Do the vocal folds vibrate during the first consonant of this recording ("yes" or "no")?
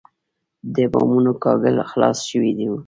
yes